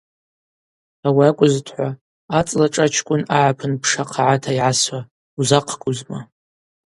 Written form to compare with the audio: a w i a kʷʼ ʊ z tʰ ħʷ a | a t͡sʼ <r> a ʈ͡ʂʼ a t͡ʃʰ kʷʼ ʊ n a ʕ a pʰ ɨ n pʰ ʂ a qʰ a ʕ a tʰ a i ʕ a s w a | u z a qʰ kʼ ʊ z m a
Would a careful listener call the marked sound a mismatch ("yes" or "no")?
yes